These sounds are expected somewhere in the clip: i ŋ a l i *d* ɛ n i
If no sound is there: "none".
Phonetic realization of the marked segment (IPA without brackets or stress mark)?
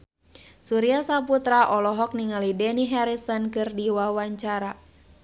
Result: d